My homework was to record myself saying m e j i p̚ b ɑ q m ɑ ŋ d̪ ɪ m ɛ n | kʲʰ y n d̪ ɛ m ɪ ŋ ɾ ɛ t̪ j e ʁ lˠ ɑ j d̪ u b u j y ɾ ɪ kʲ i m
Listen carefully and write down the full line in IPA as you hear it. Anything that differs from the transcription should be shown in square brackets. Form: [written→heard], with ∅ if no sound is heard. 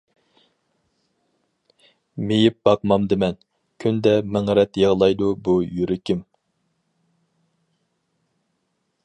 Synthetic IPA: m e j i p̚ b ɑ q m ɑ [ŋ→m] d̪ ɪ m ɛ n | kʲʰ y n d̪ ɛ m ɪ ŋ ɾ ɛ t̪ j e ʁ lˠ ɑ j d̪ u b u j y ɾ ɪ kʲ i m